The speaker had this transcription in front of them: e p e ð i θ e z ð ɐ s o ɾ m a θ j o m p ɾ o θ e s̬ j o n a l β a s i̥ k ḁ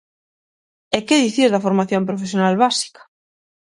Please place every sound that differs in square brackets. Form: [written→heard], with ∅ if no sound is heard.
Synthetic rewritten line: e [p→k] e ð i θ [e→i] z ð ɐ [s→f] o ɾ m a θ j o m p ɾ o [θ→f] e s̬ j o n a l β a s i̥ k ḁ